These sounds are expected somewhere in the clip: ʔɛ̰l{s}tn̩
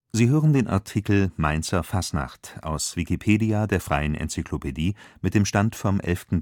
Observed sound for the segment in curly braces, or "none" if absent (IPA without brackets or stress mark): f